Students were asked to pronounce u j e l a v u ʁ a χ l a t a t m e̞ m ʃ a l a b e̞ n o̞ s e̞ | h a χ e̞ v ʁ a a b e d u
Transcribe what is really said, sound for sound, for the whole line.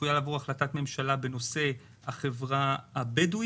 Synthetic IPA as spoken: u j a l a v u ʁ a χ l a t a t m e̞ m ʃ a l a b e̞ n o̞ s e̞ | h a χ e̞ v ʁ a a b e d u